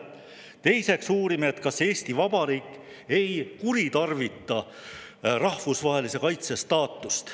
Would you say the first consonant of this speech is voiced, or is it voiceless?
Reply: voiceless